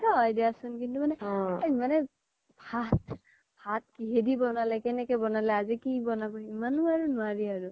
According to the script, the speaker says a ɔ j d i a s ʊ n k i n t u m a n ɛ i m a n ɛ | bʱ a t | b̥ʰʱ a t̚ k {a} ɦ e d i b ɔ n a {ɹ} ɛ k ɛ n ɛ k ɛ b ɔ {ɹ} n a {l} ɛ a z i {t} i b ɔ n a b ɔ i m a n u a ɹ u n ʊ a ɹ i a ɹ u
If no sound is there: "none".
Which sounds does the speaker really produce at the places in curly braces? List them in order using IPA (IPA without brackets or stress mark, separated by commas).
i, l, none, l, k